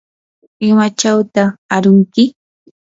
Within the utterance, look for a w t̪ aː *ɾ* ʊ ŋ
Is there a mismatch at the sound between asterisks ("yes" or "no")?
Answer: no